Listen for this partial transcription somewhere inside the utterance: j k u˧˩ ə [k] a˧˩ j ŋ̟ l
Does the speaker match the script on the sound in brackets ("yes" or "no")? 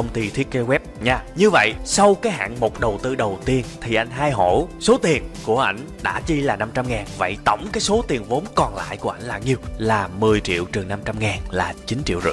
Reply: no